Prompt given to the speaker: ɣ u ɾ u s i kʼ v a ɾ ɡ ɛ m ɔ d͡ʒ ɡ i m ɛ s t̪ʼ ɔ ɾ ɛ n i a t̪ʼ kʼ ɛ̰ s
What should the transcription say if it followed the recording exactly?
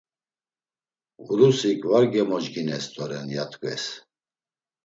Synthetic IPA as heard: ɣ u ɾ u s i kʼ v a ɾ ɡ ɛ m ɔ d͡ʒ ɡ i n ɛ s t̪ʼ ɔ ɾ ɛ n j a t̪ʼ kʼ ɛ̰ s